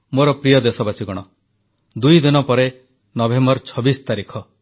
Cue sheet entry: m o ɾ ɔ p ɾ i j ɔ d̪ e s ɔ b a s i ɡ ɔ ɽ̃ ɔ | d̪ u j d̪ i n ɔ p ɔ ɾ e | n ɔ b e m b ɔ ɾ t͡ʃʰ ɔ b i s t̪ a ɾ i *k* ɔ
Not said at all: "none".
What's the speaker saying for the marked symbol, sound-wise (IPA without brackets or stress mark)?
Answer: kʰ